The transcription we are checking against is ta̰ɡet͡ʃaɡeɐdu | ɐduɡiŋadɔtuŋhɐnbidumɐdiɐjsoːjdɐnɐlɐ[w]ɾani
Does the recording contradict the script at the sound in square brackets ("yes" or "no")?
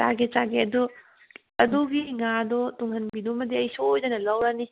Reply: no